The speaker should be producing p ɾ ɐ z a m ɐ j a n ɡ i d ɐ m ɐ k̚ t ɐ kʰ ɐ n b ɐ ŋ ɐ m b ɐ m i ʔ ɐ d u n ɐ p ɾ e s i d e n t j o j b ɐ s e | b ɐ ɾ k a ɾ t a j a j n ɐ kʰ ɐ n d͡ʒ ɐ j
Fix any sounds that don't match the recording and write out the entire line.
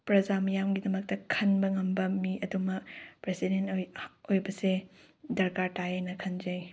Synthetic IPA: p ɾ ɐ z a m ɐ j a m ɡ i d ɐ m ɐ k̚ t ɐ kʰ ɐ n b ɐ ŋ ɐ m b ɐ m i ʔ ɐ d u m ɐ p ɾ e s i d e n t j o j b ɐ s e | d ɐ ɾ k a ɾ t a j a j n ɐ kʰ ɐ n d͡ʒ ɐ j